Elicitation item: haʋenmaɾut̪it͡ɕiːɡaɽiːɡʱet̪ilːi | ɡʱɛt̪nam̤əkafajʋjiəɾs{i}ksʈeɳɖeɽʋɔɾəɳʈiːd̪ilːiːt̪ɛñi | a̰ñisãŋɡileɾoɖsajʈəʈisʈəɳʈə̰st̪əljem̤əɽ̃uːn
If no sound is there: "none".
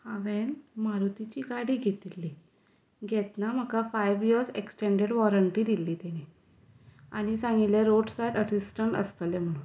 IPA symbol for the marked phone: e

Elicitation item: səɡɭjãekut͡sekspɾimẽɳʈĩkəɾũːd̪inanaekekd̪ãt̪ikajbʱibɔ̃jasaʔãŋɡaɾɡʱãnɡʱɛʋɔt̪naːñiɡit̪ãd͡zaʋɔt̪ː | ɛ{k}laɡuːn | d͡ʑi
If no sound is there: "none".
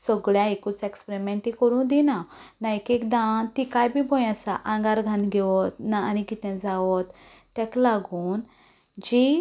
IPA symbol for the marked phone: k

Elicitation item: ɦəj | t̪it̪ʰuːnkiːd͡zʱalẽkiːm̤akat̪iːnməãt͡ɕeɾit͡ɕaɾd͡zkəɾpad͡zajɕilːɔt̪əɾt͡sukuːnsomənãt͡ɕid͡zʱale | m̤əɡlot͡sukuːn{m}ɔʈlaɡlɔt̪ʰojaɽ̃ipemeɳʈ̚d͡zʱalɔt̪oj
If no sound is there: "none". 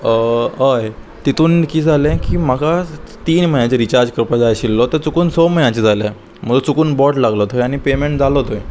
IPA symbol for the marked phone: b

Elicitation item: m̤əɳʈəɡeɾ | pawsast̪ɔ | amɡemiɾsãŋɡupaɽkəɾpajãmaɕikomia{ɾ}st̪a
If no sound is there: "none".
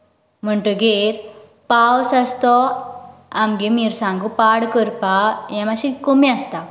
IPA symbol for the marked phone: none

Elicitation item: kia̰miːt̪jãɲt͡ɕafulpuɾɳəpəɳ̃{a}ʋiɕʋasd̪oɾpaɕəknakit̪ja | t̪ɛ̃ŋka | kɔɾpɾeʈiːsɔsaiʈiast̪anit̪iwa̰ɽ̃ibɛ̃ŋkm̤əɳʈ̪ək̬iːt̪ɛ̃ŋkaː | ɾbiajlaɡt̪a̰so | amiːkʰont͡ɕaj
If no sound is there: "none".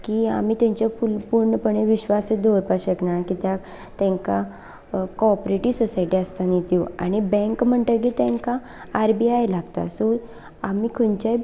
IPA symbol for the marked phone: e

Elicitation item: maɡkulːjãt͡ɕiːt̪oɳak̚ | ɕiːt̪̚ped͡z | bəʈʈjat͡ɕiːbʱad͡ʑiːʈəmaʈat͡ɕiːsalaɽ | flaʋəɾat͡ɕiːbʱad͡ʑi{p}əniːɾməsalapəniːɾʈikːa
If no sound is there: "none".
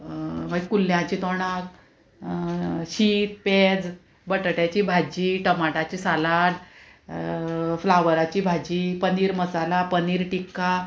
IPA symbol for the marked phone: p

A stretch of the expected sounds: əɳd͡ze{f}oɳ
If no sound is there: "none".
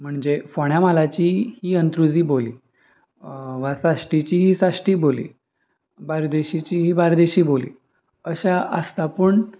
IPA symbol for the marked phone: f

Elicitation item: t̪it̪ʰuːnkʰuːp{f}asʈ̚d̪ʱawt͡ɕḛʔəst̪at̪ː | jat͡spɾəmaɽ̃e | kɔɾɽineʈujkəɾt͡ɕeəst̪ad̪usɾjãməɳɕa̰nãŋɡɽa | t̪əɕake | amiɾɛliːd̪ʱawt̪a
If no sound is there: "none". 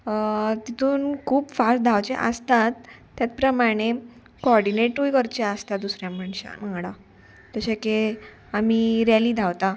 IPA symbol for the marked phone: f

